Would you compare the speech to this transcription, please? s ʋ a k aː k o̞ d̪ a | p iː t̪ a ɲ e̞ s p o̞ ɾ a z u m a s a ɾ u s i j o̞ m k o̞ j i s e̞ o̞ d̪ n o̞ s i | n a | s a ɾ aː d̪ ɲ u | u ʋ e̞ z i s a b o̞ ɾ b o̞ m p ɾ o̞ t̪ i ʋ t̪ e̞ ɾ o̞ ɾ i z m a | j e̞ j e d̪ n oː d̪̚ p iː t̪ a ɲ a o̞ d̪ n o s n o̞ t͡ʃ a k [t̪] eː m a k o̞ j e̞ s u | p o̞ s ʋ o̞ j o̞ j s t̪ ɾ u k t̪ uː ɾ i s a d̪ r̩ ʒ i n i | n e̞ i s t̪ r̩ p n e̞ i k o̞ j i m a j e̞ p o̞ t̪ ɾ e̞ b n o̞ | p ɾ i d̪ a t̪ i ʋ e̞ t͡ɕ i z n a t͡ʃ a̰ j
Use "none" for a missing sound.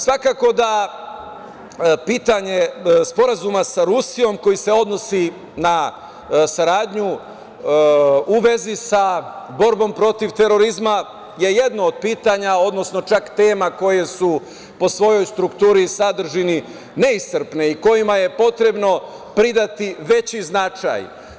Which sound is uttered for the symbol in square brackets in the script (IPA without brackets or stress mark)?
t̪